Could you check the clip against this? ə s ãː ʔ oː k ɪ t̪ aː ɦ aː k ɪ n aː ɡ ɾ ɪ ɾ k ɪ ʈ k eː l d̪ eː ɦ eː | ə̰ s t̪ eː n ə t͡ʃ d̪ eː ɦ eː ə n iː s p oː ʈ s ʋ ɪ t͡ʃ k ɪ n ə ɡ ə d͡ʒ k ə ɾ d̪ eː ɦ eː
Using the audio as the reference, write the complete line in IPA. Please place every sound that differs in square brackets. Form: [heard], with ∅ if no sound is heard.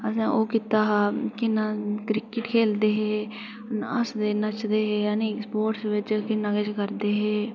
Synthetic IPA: ə s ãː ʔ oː k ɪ t̪ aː ɦ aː k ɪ n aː [k] ɾ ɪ [∅] k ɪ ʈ [kʰ] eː l d̪ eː ɦ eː | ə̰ s [d̪] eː n ə t͡ʃ d̪ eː ɦ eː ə n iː s p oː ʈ s ʋ ɪ t͡ʃ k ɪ n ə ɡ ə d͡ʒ k ə ɾ d̪ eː ɦ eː